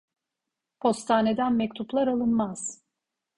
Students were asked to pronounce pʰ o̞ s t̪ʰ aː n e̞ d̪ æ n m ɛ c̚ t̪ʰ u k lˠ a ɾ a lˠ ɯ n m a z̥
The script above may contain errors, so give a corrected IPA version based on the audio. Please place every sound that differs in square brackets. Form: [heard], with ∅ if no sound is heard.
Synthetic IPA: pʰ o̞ s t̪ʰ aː n e̞ d̪ æ n m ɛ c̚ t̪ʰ u [p] lˠ a ɾ a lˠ ɯ n m a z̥